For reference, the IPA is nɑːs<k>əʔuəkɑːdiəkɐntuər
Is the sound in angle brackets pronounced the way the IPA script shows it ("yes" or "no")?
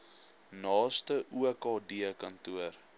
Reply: no